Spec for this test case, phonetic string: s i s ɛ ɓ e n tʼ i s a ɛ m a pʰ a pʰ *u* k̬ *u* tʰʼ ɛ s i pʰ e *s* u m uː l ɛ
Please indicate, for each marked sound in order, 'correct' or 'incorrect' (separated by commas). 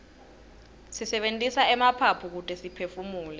correct, correct, incorrect